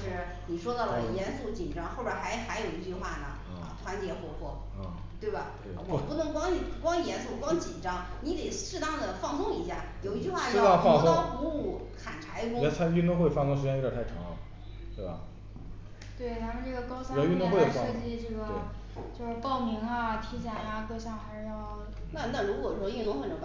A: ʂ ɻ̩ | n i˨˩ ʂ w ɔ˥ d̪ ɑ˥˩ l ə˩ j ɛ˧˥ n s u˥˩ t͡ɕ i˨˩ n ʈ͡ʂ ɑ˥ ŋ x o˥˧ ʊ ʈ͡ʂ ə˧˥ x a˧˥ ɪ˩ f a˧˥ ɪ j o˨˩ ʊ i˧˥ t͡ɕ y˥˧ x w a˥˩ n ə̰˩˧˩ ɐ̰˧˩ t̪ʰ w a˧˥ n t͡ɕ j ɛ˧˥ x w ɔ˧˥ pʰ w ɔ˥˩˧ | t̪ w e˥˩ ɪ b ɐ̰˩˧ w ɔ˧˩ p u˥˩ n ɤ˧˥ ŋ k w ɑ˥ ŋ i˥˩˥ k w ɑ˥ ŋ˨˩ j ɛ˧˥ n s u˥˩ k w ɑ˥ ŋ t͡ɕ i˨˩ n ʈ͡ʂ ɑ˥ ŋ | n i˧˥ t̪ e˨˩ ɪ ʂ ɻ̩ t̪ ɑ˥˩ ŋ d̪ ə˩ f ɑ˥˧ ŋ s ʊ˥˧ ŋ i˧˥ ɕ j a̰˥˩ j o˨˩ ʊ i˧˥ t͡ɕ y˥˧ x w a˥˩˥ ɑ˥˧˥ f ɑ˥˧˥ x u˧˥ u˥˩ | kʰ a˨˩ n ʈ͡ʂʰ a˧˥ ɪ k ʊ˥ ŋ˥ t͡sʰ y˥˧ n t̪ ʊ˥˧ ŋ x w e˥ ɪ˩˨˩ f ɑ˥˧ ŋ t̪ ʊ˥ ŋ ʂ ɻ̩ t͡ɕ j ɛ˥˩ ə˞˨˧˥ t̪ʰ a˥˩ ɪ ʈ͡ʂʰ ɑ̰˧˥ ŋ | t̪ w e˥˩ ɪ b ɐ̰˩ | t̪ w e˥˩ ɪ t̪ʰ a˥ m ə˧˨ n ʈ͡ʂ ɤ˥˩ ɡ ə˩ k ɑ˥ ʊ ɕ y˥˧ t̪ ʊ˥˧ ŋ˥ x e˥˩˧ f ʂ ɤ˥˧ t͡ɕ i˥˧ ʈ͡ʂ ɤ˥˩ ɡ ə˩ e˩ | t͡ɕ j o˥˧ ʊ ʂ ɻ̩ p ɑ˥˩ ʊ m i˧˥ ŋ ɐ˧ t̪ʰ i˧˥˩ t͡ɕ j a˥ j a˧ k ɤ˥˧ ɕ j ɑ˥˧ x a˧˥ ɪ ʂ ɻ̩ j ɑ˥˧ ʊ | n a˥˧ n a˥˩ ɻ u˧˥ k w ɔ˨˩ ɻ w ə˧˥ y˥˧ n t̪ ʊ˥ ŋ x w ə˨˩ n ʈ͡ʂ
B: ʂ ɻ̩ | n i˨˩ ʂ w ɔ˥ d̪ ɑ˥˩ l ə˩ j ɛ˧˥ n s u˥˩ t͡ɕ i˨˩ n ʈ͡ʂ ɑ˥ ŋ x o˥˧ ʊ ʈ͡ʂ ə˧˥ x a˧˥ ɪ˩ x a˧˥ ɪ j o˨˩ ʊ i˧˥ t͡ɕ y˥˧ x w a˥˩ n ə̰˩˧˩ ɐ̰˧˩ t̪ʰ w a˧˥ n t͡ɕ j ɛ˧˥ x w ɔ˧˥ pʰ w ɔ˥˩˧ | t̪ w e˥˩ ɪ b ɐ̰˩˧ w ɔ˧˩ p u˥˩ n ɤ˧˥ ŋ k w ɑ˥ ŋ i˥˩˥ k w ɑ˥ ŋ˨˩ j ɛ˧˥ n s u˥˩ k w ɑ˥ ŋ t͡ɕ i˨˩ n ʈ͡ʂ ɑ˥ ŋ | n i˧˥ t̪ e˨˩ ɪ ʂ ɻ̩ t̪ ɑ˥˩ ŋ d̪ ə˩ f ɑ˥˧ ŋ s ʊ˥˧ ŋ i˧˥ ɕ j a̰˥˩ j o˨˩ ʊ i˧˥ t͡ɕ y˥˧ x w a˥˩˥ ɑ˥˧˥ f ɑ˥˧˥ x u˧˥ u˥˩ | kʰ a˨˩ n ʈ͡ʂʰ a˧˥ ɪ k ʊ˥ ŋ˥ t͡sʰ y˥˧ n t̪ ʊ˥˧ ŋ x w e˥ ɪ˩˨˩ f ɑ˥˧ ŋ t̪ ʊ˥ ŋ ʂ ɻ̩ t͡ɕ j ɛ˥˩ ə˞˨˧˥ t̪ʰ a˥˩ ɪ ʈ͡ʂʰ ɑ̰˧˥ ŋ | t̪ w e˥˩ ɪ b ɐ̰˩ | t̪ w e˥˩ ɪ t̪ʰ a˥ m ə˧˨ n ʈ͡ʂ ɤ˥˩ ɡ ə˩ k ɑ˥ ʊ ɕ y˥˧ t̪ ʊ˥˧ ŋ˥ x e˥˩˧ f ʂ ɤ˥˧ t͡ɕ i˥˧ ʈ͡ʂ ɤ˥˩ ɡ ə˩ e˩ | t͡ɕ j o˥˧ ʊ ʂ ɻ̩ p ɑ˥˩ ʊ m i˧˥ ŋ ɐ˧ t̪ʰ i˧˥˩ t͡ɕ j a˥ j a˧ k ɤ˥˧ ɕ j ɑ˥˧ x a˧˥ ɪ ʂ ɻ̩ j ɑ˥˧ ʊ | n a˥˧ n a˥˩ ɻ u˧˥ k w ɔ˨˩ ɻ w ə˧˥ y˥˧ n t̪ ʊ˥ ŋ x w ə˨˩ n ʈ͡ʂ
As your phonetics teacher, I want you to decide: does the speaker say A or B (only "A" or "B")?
B